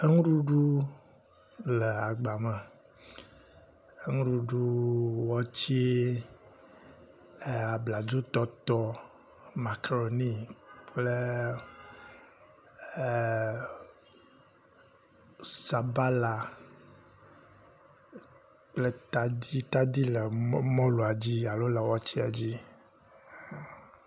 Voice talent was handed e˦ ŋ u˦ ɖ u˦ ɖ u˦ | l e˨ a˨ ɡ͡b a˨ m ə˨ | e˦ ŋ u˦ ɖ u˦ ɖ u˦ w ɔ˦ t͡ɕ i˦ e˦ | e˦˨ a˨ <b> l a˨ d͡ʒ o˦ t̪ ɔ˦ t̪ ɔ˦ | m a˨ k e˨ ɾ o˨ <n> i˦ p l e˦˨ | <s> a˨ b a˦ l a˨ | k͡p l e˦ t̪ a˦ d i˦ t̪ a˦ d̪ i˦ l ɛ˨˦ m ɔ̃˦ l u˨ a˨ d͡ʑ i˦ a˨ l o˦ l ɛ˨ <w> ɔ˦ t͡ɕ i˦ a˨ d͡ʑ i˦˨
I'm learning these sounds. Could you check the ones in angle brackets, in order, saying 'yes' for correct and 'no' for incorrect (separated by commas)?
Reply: yes, yes, yes, yes